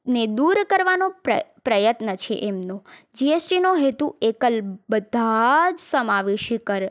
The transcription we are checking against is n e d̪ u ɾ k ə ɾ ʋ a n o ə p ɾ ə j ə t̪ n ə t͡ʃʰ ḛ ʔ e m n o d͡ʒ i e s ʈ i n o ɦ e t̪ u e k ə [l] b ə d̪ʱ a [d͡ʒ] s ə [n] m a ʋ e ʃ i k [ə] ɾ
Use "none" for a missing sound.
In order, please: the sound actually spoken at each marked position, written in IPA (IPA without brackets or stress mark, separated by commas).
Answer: l, d͡ʒ, none, ə